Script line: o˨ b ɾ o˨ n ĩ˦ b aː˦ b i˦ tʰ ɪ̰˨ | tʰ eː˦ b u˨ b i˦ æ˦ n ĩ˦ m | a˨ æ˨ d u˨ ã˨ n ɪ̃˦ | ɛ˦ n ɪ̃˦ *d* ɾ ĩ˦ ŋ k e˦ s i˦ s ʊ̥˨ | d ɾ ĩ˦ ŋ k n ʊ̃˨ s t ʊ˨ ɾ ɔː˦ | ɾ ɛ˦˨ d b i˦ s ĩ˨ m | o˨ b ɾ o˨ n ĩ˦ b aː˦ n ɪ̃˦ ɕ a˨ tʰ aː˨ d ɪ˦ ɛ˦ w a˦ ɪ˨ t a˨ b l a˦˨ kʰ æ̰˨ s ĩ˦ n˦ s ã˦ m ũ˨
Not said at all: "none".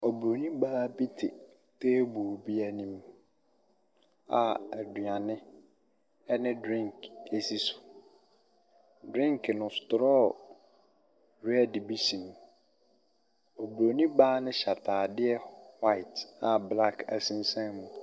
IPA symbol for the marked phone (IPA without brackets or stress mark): d